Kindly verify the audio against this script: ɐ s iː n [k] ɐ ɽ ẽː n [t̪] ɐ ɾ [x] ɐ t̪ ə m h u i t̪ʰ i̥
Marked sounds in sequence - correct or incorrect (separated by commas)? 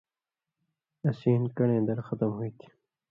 correct, incorrect, correct